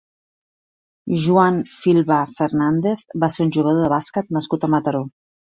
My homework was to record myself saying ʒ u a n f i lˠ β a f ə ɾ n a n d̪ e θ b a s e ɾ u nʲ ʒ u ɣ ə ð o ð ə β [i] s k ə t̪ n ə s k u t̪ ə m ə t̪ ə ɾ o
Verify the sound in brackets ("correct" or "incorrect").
incorrect